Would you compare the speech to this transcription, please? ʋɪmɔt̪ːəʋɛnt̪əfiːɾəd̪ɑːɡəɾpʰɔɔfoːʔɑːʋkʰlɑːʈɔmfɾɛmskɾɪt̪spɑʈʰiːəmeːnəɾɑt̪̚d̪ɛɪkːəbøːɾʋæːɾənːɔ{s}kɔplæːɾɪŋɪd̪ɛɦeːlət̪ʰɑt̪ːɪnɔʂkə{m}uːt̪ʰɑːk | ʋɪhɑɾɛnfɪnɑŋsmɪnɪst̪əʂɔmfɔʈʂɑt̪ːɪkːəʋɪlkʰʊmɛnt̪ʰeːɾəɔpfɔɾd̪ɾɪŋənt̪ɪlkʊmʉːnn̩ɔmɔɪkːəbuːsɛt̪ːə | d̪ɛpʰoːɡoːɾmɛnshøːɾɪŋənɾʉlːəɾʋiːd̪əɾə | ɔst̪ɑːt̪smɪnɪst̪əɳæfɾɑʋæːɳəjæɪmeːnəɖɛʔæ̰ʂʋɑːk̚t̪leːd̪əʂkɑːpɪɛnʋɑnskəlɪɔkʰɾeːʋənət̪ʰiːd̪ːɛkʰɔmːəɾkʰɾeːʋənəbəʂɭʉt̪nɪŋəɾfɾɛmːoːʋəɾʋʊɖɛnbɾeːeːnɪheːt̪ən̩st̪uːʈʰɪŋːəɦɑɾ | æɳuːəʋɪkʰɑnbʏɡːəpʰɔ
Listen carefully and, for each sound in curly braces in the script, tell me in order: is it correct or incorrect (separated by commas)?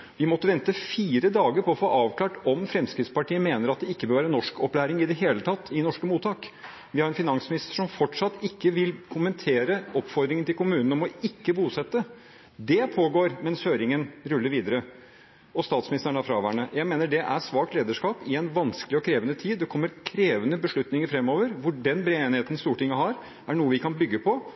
incorrect, correct